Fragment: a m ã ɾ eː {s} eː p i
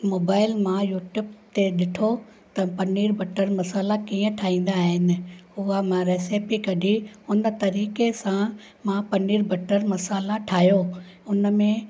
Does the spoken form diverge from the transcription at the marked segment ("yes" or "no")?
no